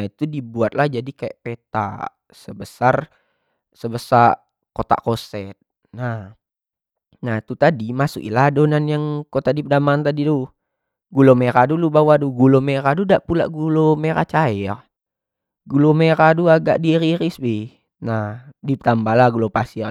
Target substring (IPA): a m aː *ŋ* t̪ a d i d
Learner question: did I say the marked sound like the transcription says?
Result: no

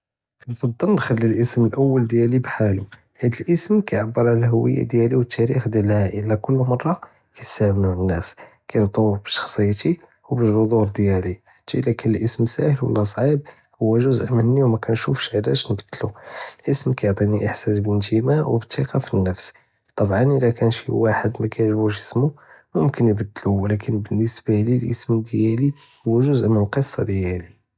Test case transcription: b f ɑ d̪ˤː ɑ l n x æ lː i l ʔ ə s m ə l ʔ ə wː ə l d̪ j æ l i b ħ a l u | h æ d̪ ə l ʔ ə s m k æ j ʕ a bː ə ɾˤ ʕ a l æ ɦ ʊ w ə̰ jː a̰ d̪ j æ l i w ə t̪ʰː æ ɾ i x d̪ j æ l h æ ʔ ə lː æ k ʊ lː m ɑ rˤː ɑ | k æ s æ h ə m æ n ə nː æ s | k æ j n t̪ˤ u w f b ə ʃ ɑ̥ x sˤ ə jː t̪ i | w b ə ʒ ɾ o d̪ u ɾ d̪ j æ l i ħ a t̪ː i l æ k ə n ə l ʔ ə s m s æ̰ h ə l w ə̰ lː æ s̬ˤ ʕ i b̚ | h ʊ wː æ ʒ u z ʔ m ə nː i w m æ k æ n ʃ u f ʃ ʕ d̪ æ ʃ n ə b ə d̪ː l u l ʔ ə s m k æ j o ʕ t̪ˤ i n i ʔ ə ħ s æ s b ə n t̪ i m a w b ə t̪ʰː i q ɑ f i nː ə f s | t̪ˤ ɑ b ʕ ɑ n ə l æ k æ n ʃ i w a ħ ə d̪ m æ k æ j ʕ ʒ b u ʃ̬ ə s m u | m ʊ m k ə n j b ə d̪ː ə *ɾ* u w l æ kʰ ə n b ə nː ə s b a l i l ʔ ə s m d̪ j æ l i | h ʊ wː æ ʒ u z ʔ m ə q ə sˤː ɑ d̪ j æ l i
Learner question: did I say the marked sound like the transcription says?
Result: no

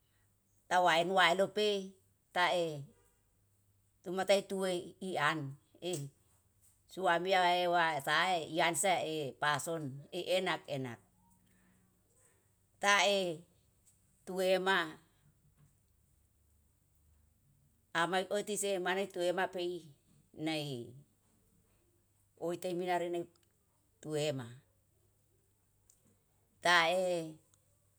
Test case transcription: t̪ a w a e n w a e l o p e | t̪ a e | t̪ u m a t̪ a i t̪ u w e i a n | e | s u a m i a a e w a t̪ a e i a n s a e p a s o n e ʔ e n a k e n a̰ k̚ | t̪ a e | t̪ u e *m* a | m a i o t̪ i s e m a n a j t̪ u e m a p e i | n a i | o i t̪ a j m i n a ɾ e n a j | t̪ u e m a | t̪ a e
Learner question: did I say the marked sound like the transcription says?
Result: yes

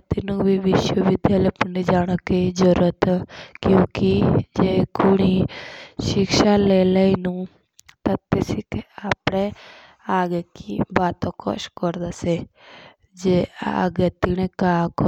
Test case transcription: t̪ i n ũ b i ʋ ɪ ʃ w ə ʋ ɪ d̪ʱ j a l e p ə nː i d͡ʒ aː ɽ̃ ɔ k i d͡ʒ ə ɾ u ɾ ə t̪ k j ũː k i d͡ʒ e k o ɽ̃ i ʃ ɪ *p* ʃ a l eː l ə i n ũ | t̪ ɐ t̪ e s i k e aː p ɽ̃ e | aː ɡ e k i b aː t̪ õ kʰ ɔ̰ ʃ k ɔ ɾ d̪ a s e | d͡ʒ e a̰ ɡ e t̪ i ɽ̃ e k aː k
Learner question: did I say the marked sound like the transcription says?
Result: no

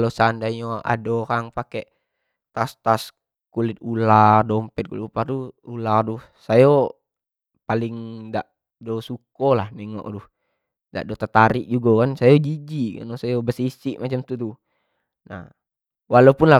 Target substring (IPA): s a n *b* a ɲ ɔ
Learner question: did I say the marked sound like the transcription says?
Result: no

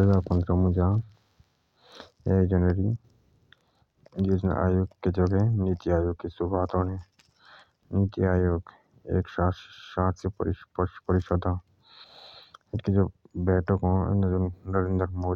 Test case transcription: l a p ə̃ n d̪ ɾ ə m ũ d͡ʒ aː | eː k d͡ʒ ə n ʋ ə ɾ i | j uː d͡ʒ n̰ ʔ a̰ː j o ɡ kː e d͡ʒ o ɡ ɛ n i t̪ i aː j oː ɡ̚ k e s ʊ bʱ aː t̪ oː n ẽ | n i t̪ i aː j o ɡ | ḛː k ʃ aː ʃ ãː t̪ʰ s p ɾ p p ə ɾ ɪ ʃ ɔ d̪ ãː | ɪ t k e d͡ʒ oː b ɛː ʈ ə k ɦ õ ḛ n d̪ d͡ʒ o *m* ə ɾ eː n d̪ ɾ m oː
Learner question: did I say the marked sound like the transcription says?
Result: no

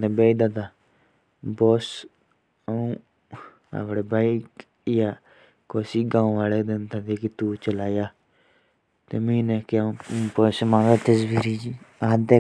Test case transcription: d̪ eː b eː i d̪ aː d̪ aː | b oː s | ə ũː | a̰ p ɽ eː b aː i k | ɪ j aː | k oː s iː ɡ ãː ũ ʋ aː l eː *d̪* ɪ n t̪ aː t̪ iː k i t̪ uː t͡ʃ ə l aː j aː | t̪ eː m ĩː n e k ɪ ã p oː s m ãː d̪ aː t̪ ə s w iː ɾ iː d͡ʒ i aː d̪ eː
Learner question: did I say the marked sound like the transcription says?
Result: yes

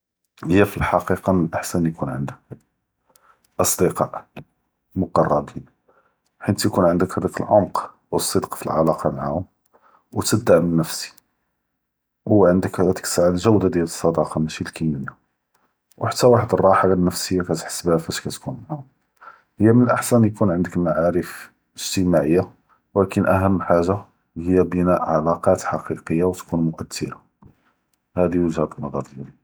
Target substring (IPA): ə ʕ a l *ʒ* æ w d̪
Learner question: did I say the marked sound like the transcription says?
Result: yes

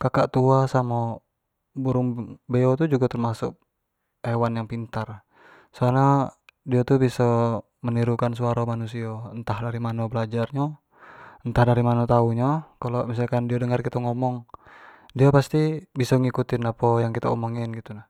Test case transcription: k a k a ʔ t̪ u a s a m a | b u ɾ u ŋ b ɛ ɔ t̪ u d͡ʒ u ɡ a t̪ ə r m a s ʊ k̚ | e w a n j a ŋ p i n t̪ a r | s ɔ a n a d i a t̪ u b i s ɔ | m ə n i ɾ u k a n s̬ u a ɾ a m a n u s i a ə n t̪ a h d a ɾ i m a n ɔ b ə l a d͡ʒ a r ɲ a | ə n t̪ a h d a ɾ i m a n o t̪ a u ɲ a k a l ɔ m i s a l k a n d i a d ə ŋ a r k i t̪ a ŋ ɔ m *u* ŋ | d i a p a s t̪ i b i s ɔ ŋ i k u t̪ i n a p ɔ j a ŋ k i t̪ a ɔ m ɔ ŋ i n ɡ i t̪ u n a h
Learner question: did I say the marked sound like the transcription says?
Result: no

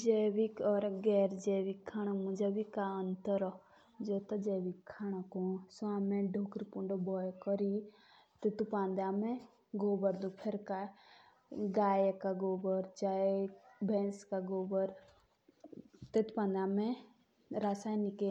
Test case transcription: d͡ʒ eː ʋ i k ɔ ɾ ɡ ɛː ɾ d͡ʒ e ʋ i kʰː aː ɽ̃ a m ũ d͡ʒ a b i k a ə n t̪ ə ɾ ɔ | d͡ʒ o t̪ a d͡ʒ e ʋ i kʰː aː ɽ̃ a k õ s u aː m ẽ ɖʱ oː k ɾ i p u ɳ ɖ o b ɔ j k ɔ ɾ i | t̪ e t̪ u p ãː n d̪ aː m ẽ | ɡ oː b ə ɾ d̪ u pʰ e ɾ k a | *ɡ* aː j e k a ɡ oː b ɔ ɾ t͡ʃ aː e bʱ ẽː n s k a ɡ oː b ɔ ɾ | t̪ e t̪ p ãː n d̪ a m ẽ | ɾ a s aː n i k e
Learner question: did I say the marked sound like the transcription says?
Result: yes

